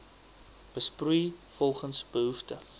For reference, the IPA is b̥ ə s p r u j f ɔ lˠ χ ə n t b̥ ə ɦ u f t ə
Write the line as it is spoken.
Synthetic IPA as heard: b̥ ə s p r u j f ɔ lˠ χ ə n s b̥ ə ɦ u f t ə

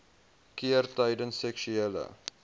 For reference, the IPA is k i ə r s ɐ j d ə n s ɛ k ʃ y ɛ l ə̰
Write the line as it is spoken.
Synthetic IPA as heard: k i ə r t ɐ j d ə n s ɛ k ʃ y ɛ l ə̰

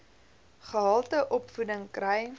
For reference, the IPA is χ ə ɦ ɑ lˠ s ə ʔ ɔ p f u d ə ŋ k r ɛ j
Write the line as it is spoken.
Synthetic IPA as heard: χ ə ɦ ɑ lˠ t ə ʔ ɔ p f u d ə ŋ k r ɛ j

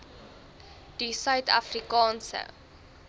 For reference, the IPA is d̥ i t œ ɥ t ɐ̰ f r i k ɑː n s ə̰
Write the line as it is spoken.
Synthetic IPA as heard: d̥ i s œ ɥ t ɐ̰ f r i k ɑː n s ə̰

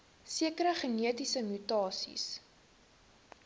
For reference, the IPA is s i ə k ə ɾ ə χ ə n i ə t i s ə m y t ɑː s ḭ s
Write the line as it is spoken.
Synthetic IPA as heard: s i ə k ə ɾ ə χ ə n i ə t i s ə m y t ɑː s ḭ s

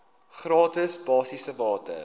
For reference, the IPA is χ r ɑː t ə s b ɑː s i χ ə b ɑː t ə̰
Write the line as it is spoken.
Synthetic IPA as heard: χ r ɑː t ə s b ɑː s i s ə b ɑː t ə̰

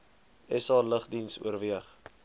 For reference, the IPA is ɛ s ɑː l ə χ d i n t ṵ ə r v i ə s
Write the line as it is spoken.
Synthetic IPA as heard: ɛ s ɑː l ə χ d i n s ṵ ə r v i ə χ

